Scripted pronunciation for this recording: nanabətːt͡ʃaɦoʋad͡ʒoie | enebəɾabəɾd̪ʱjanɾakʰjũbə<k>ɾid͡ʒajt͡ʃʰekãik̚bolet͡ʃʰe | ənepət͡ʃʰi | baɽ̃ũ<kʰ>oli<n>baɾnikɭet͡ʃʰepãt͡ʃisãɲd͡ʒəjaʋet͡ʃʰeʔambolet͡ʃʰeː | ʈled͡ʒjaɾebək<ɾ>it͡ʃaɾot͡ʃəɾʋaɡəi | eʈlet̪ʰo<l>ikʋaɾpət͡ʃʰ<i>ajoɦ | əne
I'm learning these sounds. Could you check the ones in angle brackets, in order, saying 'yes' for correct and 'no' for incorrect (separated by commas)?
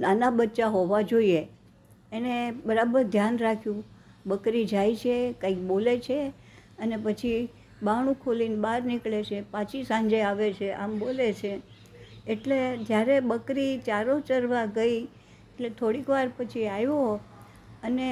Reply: yes, yes, yes, yes, no, yes